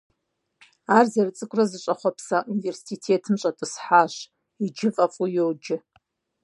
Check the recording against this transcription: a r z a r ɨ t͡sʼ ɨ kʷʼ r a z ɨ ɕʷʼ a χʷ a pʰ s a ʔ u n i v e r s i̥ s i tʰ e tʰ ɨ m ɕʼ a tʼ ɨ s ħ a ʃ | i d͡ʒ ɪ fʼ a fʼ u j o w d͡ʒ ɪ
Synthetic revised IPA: a r z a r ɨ t͡sʼ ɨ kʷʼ r a z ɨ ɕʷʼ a χʷ a pʰ s a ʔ u n i v e r s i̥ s i tʰ e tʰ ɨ m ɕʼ a tʼ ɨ s ħ a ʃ | i d͡ʒ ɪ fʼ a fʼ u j o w d͡ʒ ɪ